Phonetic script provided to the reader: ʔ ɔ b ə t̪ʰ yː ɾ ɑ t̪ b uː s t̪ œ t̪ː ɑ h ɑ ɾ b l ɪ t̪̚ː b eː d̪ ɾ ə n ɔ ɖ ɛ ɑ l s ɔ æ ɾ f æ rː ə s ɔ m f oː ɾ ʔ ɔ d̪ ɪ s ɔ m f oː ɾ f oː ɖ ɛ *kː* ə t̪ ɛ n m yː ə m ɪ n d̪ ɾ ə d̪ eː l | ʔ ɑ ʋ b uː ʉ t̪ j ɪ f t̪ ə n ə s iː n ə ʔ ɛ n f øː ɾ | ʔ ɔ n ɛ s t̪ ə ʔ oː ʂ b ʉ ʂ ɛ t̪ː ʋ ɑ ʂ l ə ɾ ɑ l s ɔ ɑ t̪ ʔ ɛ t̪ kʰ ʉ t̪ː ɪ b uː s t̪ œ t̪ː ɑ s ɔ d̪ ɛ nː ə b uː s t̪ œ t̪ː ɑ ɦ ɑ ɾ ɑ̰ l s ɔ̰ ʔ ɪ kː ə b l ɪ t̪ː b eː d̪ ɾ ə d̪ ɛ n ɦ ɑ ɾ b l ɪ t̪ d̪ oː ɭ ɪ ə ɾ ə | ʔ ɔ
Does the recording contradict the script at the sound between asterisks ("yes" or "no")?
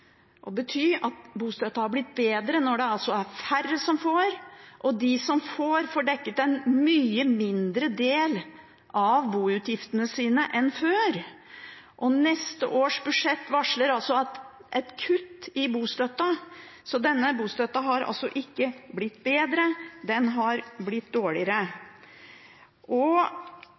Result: no